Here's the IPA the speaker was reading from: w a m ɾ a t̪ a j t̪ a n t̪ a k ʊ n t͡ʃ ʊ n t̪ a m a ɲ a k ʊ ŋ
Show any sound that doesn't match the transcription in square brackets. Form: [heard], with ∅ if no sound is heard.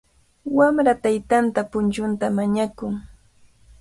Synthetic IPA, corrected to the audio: w a m ɾ a t̪ a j t̪ a n t̪ a [p] ʊ n t͡ʃ ʊ n t̪ a m a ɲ a k ʊ ŋ